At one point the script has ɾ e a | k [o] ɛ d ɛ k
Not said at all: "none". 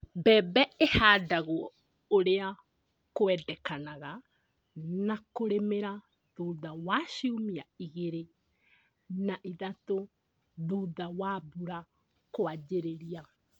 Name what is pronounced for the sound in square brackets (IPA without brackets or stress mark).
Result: o